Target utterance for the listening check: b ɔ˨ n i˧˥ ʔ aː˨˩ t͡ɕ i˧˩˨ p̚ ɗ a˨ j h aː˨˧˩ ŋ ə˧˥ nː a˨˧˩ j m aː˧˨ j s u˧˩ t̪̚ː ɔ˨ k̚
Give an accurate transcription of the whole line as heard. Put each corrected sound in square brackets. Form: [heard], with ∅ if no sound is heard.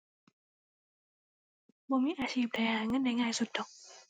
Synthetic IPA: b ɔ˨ [m] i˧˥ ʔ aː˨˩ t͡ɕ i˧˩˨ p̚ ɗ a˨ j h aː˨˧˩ ŋ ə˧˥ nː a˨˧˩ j [ŋ] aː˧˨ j s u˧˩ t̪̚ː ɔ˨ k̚